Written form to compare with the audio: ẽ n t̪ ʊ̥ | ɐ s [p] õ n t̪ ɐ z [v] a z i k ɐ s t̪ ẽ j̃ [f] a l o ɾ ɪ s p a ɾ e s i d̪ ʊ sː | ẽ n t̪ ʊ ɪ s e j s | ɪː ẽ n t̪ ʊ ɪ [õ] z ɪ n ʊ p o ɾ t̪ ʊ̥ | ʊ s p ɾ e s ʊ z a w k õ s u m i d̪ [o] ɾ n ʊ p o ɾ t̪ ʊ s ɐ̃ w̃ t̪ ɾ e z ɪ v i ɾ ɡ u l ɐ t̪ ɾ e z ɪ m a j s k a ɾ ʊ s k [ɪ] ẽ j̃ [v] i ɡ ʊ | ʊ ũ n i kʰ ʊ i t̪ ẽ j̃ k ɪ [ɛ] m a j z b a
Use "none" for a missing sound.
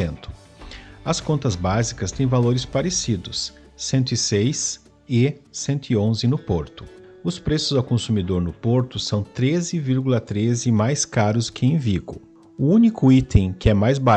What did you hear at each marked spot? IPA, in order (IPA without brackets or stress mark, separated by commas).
k, b, v, õ, o, ɪ, v, ɛ